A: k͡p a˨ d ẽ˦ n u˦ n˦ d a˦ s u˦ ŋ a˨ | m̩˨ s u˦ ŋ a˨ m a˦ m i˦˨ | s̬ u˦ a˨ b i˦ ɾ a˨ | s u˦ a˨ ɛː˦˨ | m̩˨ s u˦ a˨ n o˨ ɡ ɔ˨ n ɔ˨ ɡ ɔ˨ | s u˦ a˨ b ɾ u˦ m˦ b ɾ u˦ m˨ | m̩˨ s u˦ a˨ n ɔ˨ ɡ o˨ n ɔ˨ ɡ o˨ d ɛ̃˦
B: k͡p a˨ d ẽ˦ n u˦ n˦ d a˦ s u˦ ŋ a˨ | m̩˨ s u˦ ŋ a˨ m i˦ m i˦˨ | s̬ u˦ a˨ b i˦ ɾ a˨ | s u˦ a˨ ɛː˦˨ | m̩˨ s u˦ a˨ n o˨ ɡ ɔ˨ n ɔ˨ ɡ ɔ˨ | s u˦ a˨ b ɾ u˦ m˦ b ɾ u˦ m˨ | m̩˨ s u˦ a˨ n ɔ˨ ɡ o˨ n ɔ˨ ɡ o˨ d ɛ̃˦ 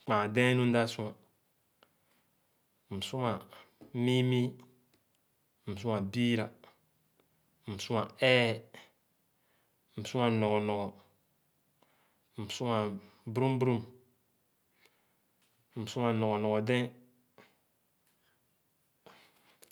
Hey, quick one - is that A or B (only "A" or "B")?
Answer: B